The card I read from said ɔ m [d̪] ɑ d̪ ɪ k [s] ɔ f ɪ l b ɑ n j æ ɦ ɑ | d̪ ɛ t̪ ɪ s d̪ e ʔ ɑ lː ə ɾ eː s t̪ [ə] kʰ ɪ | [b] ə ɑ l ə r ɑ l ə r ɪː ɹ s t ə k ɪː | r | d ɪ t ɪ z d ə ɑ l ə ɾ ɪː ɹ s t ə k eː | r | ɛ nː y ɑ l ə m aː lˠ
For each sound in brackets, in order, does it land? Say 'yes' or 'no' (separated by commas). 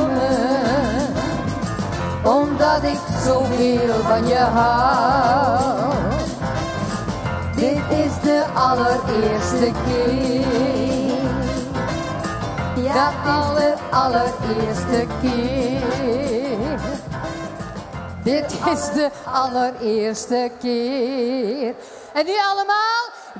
yes, yes, yes, no